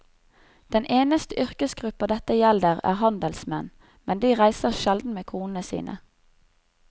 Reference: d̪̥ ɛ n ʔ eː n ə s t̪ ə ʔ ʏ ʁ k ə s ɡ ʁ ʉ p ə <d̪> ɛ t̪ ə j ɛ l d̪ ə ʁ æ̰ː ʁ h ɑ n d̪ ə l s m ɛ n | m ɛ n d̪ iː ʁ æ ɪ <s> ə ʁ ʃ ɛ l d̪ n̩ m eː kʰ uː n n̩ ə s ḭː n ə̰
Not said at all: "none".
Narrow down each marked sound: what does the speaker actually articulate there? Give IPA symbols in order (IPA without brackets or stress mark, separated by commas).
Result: d̪, s